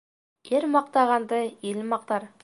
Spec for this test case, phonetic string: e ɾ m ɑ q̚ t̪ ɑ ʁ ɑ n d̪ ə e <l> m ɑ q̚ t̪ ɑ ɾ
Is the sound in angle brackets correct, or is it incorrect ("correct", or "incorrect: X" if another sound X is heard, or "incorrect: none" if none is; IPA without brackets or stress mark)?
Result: correct